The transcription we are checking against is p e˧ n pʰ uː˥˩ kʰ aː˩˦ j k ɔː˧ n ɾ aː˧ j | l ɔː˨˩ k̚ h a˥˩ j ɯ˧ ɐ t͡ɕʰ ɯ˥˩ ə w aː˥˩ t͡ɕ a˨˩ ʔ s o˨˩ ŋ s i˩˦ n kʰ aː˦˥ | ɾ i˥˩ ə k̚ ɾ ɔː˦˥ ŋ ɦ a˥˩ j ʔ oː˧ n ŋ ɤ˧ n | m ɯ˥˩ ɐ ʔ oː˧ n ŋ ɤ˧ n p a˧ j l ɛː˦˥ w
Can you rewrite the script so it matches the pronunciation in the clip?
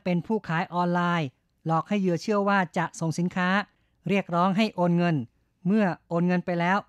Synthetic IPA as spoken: p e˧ n pʰ uː˥˩ kʰ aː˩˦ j ʔ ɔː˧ n l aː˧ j | l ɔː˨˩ k̚ h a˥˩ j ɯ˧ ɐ t͡ɕʰ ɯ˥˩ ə w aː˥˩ t͡ɕ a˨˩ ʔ s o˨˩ ŋ s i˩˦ n kʰ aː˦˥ | ɾ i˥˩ ə k̚ ɾ ɔː˦˥ ŋ ɦ a˥˩ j ʔ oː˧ n ŋ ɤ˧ n | m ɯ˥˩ ɐ ʔ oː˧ n ŋ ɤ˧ n p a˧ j l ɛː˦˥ w